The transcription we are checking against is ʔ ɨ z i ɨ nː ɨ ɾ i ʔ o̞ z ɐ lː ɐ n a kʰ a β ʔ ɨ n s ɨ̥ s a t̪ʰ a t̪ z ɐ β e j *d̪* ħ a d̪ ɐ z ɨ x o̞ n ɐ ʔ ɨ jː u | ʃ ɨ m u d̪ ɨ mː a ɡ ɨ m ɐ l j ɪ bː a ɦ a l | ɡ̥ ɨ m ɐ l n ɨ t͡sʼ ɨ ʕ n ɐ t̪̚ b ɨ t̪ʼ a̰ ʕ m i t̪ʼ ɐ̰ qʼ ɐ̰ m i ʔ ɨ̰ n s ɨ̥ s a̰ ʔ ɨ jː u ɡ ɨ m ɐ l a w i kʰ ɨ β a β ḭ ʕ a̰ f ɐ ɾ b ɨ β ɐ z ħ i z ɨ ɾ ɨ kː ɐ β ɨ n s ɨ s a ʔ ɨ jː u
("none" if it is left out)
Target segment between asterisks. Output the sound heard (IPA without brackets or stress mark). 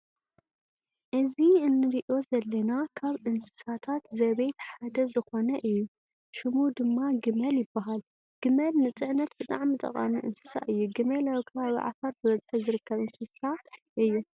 t̪